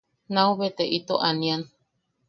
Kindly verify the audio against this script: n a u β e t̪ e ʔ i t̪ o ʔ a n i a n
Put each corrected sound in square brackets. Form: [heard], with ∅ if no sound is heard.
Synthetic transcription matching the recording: n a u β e t̪ e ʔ i t̪ o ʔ a n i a n